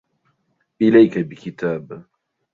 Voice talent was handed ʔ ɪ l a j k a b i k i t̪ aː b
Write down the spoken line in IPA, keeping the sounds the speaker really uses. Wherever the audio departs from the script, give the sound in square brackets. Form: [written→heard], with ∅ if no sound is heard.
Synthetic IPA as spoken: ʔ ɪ l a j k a b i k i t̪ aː b